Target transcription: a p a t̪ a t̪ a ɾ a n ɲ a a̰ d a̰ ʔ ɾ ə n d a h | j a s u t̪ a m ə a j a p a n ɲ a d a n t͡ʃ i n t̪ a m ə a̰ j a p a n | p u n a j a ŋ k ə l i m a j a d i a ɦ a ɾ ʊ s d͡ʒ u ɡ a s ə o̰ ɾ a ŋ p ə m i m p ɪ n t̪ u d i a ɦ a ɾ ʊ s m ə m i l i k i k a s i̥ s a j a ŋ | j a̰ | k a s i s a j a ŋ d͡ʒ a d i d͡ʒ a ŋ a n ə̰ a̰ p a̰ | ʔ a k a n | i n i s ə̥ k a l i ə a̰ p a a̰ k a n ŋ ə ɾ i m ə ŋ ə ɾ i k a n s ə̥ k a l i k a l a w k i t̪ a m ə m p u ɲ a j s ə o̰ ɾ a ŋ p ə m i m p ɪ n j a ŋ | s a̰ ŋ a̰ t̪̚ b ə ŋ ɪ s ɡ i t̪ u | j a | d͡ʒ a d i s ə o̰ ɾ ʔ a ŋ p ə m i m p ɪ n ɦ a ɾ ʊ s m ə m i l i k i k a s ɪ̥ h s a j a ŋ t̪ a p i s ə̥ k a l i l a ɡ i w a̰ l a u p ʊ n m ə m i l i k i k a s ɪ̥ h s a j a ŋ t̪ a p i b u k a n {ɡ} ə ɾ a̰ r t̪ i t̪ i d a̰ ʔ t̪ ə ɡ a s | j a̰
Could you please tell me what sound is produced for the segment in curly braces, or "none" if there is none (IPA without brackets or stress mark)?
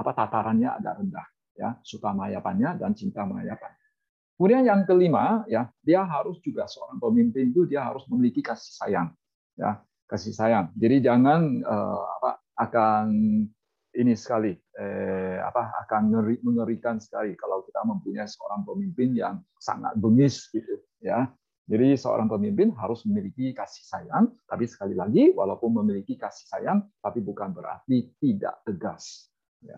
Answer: b